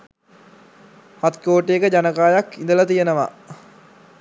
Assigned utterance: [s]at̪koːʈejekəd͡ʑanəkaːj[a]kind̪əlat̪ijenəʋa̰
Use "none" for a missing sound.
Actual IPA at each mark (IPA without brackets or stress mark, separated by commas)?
h, a